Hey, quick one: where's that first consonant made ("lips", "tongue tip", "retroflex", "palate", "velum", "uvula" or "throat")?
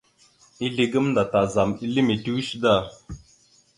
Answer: tongue tip